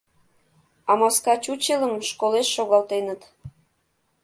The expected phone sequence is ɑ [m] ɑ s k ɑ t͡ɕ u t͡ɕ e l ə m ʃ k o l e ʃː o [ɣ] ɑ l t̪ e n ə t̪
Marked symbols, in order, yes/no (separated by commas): yes, yes